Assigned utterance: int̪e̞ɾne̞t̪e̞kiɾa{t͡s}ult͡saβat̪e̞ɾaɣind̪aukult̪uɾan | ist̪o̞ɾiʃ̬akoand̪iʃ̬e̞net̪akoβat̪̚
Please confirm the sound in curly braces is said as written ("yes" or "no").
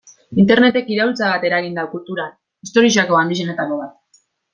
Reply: no